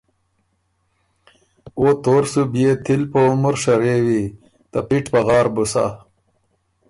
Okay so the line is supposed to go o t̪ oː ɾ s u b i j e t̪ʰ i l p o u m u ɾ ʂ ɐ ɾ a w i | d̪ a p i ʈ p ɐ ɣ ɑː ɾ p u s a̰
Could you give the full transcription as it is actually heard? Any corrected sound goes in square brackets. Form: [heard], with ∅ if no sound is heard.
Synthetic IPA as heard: o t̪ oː ɾ s u b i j e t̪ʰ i l p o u m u ɾ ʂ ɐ ɾ [e] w i | [t̪] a p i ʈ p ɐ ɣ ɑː ɾ [b] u s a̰